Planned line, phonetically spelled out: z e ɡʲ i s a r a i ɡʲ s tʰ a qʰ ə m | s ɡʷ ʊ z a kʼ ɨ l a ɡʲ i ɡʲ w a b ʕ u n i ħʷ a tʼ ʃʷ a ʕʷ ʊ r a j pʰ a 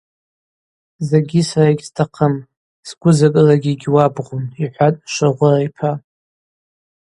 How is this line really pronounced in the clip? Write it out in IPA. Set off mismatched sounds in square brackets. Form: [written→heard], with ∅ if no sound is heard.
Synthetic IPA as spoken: z e ɡʲ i s a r a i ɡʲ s tʰ a qʰ ə m | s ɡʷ ʊ z a kʼ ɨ l a ɡʲ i ɡʲ w a b [ʕ→ʁ] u n i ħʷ a tʼ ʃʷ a [ʕʷ→ʁʷ] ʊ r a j pʰ a